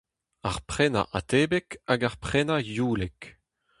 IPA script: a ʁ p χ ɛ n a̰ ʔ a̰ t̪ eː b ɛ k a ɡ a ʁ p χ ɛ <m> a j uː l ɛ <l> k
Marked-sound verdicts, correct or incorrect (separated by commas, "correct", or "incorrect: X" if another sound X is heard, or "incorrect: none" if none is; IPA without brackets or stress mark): incorrect: n, incorrect: none